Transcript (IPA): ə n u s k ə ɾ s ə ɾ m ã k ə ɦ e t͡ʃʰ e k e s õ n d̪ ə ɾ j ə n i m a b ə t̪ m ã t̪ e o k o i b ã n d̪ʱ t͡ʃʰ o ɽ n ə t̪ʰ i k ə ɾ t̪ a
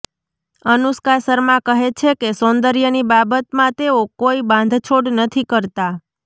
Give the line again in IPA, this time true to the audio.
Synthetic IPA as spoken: ə n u s k a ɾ s ə ɾ m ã k ə ɦ e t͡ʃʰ e k e s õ n d̪ ə ɾ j ə n i b a b ə t̪ m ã t̪ e o k o i b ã n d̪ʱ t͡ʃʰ o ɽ n ə t̪ʰ i k ə ɾ t̪ a